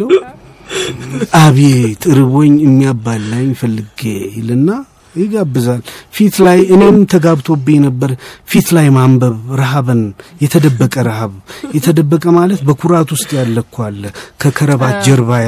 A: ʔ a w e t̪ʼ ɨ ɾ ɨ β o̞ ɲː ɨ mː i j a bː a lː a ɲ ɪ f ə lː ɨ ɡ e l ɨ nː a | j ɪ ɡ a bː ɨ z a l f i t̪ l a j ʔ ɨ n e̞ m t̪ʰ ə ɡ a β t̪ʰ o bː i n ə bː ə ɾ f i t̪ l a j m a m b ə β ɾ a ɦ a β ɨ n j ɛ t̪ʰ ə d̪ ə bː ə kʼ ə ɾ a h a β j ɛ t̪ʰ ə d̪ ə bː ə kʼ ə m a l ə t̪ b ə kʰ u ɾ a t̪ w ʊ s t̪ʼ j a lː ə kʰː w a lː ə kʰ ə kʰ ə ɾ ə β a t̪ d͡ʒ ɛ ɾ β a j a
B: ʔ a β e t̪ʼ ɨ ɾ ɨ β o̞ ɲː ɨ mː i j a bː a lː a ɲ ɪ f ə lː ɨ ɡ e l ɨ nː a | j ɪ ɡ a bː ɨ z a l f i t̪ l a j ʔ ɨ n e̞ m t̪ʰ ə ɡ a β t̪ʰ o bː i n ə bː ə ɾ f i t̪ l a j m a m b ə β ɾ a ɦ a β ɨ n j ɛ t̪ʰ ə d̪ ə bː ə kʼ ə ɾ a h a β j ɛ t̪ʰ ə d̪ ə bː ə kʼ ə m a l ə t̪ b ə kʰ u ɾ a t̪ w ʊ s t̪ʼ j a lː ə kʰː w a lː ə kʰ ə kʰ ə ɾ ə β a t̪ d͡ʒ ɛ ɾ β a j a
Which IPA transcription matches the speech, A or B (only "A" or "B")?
B